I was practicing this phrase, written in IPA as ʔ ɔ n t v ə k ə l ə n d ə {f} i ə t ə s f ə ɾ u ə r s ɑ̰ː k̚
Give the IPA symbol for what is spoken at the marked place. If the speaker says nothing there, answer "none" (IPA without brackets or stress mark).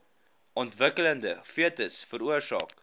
f